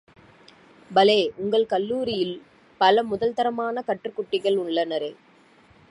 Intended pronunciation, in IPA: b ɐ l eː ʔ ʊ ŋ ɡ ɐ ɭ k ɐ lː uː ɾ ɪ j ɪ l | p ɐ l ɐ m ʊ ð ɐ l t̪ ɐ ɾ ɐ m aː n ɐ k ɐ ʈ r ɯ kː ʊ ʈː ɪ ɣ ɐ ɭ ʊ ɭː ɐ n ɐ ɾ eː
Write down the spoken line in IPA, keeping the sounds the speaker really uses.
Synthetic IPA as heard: b ɐ l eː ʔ ʊ ŋ ɡ ɐ ɭ k ɐ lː uː ɾ ɪ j ɪ l | p ɐ l ɐ m ʊ ð ɐ l t̪ ɐ ɾ ɐ m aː n ɐ k ɐ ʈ r ɯ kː ʊ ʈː ɪ ɣ ɐ ɭ ʊ ɭː ɐ n ɐ ɾ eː